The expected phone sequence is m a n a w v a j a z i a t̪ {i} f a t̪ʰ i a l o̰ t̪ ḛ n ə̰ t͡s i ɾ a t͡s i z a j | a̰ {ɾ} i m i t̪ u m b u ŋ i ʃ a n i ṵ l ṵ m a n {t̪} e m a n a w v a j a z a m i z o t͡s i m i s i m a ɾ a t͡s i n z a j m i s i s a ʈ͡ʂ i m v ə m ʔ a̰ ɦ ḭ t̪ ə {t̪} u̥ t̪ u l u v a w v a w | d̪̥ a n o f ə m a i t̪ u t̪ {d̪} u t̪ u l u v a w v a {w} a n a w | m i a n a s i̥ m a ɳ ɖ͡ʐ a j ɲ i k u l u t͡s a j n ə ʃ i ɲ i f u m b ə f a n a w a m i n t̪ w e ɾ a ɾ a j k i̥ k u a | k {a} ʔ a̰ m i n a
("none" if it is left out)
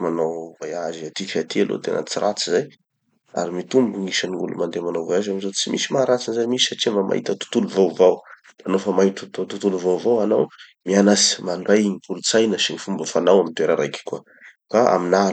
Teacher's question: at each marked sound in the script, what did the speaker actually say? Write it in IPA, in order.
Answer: i, ɾ, d̪, t̪, t̪, w, a

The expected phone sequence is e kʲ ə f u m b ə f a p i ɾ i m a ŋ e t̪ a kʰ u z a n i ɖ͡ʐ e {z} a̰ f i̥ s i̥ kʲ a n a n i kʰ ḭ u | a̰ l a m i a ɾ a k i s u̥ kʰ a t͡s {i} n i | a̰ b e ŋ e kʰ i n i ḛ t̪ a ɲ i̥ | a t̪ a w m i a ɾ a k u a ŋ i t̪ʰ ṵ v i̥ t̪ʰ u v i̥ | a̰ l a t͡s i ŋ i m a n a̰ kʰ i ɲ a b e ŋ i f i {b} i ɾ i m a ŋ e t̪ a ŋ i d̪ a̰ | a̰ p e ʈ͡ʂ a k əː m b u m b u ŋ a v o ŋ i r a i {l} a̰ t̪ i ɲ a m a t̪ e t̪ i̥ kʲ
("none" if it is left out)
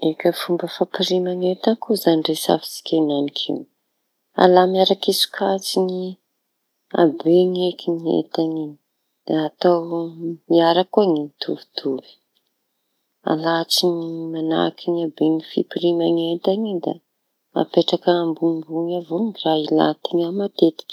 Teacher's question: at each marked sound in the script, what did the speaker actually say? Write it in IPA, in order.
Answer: s, i, p, l

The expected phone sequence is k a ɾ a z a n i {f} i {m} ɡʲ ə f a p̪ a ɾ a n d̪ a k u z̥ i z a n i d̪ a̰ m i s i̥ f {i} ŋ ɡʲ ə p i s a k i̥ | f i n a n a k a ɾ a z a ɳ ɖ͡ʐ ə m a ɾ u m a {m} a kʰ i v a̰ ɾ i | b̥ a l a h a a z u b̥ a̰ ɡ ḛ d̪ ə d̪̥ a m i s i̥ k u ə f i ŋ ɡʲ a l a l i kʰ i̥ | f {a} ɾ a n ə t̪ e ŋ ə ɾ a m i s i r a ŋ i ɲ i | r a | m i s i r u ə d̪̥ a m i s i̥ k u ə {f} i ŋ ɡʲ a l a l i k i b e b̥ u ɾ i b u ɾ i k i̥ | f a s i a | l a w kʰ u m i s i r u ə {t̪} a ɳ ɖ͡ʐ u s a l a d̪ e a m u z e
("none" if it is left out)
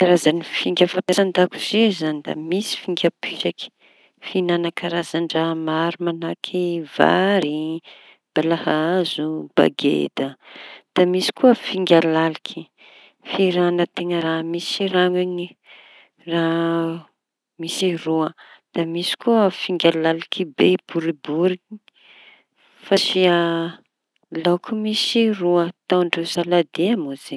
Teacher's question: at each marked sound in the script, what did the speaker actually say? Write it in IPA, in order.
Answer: f, ŋ, i, n, i, f, t̪

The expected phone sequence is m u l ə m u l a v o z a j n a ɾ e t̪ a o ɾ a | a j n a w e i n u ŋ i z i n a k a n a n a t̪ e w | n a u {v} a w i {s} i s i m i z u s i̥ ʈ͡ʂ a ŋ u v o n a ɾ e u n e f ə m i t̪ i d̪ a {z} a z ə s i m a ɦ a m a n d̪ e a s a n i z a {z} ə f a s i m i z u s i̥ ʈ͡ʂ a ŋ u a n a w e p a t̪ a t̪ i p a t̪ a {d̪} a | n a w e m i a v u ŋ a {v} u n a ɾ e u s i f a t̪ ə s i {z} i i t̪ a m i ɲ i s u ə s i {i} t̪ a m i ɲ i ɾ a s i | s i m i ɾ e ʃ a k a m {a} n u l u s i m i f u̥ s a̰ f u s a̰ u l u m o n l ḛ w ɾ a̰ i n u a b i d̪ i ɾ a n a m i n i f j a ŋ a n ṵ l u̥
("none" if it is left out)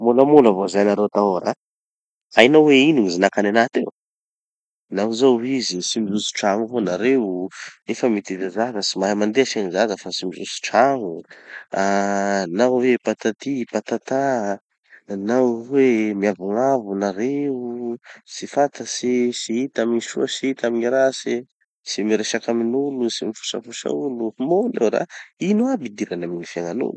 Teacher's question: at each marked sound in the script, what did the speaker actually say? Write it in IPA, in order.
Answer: z, z, z, z, t̪, v, s, i, i

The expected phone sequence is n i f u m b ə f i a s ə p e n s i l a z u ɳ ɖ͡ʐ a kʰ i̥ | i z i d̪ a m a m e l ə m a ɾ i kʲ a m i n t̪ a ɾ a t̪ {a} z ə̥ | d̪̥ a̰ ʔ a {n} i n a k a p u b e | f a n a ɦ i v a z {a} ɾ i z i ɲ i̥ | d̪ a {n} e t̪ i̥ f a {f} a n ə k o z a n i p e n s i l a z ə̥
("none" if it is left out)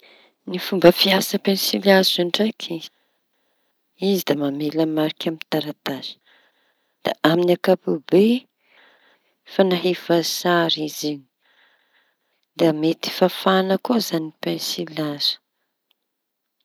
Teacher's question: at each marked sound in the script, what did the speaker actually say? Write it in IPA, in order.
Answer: a, m, a, m, f

